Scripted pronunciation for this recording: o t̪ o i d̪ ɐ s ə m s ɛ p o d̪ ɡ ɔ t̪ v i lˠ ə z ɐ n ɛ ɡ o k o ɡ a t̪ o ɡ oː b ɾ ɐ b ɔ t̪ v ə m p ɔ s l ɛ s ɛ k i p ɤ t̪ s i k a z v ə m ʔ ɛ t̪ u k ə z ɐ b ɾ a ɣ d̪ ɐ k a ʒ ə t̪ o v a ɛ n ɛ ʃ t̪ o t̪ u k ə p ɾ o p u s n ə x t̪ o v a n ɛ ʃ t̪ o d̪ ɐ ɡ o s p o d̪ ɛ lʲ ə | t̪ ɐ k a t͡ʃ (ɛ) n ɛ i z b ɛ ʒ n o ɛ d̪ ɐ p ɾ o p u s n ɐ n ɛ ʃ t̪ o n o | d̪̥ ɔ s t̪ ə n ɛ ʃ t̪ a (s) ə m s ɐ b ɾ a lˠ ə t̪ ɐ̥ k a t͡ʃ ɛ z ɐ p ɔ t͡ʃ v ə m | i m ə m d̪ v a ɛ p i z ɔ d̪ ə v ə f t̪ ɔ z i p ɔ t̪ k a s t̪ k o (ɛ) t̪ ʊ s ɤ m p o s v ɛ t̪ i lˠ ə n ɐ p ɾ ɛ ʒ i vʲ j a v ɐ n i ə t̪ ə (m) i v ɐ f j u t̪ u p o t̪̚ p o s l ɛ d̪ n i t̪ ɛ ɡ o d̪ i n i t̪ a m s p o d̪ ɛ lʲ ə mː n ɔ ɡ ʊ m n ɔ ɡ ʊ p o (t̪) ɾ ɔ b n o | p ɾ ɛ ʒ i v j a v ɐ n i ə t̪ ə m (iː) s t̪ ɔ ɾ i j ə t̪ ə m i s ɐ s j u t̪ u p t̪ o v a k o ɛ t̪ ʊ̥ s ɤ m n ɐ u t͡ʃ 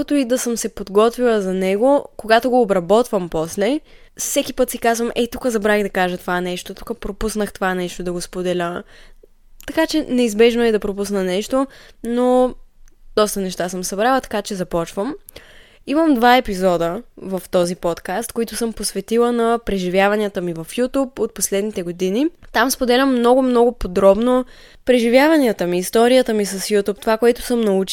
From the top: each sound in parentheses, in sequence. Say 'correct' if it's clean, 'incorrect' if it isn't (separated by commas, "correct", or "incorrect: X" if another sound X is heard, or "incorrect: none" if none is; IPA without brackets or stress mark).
correct, correct, incorrect: i, correct, incorrect: d̪, correct